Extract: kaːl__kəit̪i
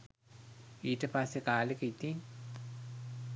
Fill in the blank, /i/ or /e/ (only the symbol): e